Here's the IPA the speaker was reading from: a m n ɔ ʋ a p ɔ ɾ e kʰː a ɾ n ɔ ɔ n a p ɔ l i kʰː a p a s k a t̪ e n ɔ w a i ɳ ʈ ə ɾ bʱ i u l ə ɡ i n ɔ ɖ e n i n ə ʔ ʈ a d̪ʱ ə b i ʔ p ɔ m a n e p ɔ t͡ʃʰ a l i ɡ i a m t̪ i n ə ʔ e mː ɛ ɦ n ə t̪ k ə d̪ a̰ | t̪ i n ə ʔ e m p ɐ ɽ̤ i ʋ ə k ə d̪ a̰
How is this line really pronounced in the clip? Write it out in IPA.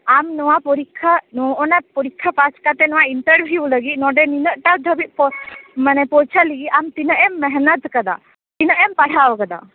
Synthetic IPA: a m n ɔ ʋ a p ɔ ɾ i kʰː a n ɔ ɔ n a p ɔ ɾ i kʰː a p a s k a t̪ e n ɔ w a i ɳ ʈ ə ɾ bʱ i u l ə ɡ i n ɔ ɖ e n i n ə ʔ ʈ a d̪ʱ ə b i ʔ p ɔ m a n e p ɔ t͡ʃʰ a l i ɡ i a m t̪ i n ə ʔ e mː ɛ ɦ n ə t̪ k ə d̪ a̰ | t̪ i n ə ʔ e m p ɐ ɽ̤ a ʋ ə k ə d̪ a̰